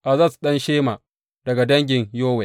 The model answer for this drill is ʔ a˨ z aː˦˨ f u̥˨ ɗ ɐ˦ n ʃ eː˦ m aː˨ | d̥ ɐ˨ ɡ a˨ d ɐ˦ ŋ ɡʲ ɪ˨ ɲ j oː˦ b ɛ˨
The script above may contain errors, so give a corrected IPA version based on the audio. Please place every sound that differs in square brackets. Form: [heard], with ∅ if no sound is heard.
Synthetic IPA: ʔ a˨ z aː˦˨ [s] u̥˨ ɗ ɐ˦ n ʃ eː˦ m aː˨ | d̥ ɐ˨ ɡ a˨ d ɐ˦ ŋ ɡʲ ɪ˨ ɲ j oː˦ [w] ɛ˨